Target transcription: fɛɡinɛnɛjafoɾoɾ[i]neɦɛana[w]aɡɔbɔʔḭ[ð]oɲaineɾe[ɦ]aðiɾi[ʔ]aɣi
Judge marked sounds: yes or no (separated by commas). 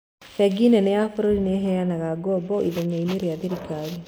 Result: yes, no, yes, no, no